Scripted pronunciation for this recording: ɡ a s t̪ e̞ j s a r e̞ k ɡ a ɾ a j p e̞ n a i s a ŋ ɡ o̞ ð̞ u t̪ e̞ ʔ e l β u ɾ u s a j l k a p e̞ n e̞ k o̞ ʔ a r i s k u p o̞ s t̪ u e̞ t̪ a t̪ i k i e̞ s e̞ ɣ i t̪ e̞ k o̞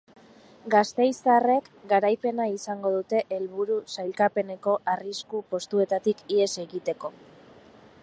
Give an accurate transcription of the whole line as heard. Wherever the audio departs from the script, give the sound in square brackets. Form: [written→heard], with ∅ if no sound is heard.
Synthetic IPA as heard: ɡ a s t̪ e̞ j s a r e̞ k ɡ a ɾ a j p e̞ n a i s a ŋ ɡ o̞ ð̞ u t̪ e̞ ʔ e l β u ɾ u s a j l k a p e̞ n e̞ k o̞ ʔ a r i s k u p o̞ s t̪ u e̞ t̪ a t̪ i k i e̞ s e̞ ɣ i t̪ e̞ k o̞